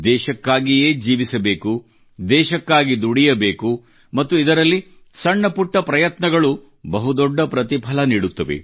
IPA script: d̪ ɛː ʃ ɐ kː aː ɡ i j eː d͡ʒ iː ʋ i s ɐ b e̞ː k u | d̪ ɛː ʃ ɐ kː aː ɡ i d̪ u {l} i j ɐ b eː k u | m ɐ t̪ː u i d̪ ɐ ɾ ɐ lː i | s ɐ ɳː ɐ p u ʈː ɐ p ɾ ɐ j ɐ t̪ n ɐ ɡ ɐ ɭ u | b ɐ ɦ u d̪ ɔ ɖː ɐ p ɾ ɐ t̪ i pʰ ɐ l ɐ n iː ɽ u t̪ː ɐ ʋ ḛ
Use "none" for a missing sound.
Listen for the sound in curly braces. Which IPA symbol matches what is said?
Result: ɽ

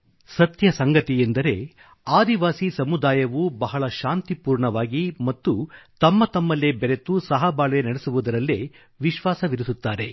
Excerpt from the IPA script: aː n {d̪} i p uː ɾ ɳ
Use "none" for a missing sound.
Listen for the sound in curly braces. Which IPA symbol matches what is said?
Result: t̪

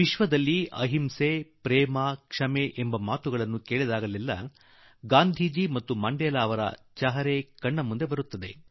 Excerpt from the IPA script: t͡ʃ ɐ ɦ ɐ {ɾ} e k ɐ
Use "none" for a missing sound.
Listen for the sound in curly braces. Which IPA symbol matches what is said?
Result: ɾ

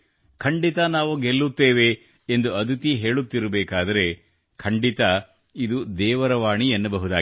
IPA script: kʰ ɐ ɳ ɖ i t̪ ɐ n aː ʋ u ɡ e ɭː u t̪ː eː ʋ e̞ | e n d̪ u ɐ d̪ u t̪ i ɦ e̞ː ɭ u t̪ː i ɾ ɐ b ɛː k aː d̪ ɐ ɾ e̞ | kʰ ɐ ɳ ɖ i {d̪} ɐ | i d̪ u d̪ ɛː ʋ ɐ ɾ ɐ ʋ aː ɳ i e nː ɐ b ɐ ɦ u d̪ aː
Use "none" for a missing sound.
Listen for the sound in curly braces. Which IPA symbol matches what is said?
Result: t̪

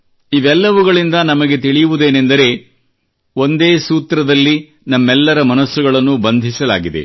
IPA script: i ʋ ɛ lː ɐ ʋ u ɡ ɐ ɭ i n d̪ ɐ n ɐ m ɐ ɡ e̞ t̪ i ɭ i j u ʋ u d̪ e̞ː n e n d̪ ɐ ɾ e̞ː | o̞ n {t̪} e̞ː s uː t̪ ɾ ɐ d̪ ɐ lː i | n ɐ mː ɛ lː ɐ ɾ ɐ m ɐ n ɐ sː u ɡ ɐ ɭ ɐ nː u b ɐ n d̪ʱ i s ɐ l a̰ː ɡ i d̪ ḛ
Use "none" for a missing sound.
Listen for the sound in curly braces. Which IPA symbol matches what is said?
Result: d̪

